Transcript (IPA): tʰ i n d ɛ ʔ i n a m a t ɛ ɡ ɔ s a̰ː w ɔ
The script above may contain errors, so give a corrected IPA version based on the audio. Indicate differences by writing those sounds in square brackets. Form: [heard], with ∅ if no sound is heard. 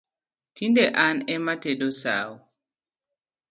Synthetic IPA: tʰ i n d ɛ ʔ [a] n [ɛ] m a t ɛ [d] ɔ s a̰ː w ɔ